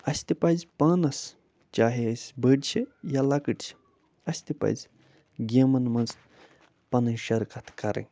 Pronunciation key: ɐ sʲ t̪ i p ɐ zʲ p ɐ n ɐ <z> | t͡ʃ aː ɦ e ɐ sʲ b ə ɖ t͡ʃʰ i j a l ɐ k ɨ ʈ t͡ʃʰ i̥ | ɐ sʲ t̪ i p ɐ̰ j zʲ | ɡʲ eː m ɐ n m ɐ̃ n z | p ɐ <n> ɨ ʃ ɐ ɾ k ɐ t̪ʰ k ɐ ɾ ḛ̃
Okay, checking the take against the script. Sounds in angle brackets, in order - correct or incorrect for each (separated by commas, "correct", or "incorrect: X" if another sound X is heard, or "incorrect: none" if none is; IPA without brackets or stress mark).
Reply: incorrect: s, correct